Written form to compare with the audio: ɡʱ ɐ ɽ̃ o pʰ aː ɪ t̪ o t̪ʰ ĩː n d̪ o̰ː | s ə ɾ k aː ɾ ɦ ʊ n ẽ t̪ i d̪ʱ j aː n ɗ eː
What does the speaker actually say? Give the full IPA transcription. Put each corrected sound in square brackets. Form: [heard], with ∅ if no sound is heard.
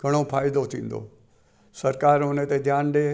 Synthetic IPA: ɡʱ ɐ ɽ̃ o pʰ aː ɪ [d̪] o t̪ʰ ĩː n d̪ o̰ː | s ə ɾ k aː ɾ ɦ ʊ n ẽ t̪ [e] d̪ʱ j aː n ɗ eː

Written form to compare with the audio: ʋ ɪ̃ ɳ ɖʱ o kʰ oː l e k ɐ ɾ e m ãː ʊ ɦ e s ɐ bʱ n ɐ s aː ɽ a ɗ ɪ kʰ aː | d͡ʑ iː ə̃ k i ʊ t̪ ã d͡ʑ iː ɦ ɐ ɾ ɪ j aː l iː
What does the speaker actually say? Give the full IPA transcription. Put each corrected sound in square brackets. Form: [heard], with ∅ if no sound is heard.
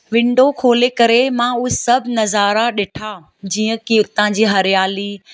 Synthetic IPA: ʋ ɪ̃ ɳ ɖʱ o kʰ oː l e k ɐ ɾ e m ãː ʊ ɦ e s ɐ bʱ n ɐ [z] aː [ɾ] a ɗ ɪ [ʈʰ] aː | d͡ʑ iː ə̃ k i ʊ t̪ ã d͡ʑ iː ɦ ɐ ɾ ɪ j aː l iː

